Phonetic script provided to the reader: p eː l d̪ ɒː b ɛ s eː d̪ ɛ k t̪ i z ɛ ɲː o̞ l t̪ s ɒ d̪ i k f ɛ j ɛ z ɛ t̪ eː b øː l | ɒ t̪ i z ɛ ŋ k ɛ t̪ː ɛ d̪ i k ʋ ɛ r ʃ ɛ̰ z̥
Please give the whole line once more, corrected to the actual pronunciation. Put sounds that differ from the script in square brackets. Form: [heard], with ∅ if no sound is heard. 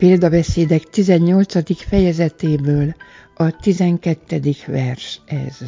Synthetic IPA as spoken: p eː l d̪ [ɒ] b ɛ s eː d̪ ɛ k t̪ i z ɛ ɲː o̞ l t̪ s ɒ d̪ i k f ɛ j ɛ z ɛ t̪ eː b øː l | ɒ t̪ i z ɛ ŋ k ɛ t̪ː ɛ d̪ i k ʋ ɛ r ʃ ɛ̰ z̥